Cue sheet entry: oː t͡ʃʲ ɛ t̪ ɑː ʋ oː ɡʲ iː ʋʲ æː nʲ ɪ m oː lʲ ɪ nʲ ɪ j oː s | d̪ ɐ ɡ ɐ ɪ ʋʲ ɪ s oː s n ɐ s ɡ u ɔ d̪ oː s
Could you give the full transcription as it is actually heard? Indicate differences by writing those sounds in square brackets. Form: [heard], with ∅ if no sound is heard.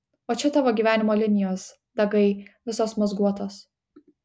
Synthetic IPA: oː t͡ʃʲ ɛ t̪ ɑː ʋ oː ɡʲ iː ʋʲ æː nʲ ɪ m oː lʲ ɪ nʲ ɪ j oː s | d̪ ɐ ɡ ɐ ɪ ʋʲ ɪ s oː s [m] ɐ [z] ɡ u ɔ [t̪] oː s